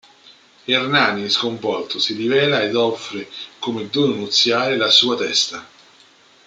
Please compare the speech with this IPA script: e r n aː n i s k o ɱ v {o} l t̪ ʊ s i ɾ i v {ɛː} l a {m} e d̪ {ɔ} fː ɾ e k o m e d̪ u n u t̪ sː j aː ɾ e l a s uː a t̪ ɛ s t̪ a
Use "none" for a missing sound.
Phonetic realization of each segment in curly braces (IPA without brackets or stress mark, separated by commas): ɔ, ɛː, none, ɔ